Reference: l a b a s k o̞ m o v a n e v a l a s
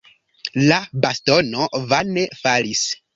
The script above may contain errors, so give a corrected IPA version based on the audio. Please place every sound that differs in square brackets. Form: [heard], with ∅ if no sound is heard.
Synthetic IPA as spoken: l a b a s [t] o̞ [n] o v a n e [f] a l [i] s